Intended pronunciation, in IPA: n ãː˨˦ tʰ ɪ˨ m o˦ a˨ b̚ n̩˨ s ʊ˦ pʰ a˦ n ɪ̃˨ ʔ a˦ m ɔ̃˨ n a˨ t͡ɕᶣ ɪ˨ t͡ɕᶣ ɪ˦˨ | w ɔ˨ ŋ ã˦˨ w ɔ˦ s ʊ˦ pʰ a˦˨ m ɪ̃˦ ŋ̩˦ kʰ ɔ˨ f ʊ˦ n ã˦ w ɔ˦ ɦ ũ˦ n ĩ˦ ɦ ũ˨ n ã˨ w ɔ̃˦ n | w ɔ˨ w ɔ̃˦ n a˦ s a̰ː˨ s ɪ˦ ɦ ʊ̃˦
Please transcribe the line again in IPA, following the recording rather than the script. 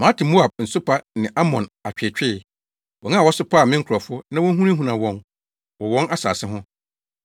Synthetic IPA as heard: m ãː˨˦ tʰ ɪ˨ m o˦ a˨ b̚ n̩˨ s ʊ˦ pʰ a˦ n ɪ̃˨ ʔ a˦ m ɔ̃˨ n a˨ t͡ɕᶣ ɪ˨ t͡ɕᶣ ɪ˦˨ | w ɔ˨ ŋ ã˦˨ w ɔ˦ s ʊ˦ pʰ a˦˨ m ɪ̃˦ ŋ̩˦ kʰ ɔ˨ f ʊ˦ n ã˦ w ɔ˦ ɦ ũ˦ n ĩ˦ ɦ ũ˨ n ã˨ w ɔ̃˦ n | w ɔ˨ w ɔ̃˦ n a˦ s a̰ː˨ s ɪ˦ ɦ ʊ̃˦

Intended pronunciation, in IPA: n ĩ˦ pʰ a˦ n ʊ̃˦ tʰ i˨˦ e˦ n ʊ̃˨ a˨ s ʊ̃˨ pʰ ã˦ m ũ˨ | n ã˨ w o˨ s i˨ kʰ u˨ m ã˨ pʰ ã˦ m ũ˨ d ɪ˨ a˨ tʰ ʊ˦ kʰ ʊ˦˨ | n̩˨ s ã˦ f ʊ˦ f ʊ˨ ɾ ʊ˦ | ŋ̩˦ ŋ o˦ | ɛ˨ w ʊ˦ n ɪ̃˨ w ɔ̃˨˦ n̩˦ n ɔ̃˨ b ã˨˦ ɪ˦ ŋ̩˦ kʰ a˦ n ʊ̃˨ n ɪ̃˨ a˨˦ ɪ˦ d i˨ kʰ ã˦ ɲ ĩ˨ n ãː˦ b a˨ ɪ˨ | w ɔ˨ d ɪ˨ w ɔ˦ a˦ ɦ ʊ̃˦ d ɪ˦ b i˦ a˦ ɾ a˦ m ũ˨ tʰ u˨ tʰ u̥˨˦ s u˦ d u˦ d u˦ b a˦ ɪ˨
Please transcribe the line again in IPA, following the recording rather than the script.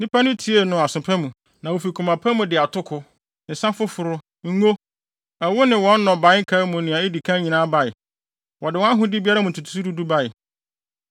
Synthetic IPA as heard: n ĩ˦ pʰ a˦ n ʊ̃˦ tʰ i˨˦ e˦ n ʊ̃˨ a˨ s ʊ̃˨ pʰ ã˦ m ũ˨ | n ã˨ w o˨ f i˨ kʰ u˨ m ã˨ pʰ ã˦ m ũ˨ d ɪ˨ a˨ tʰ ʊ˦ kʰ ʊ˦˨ | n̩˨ s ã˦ f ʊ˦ f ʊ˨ ɾ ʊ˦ | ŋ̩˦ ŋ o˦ | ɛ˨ w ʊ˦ n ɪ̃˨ w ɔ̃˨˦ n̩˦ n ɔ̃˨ b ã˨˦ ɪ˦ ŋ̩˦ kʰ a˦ m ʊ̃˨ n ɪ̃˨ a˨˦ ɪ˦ d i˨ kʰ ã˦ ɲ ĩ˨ n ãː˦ b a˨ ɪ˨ | w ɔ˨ d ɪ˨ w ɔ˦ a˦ ɦ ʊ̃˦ d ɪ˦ b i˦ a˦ ɾ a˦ m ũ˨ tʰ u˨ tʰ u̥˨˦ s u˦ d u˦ d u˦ b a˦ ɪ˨

